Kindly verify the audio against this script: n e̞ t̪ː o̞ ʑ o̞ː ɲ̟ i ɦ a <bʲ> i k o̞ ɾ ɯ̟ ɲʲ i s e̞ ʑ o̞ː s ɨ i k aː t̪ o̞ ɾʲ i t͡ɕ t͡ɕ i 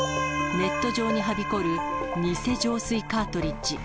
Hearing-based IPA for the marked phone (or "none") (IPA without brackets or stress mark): bʲ